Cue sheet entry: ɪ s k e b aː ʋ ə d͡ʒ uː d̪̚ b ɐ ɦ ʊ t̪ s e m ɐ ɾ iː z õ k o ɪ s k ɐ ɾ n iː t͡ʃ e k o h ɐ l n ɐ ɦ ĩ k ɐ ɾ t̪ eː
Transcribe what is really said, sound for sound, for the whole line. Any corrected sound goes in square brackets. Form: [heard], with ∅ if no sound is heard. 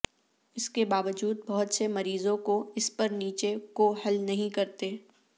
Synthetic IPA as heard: ɪ s k e b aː ʋ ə d͡ʒ uː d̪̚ b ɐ ɦ ʊ t̪ s e m ɐ ɾ iː z õ k o ɪ s [p] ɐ ɾ n iː t͡ʃ e k o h ɐ l n ɐ ɦ ĩ k ɐ ɾ t̪ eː